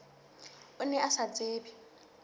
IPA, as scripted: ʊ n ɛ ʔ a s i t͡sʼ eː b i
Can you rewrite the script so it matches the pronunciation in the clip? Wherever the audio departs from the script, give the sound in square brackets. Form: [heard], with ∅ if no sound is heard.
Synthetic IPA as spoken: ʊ n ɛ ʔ a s [a] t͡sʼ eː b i